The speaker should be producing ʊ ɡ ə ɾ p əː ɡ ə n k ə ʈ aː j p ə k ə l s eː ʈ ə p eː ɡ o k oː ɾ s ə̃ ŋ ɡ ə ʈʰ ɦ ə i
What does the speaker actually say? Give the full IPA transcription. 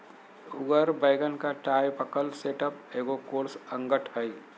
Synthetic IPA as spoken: ʊ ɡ ə ɾ b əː ɡ ə n k a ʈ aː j p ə k ə l s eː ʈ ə p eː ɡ o k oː ɾ s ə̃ ŋ ɡ ə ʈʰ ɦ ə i